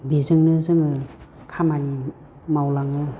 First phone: b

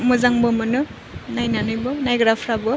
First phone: m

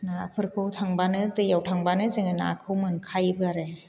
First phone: n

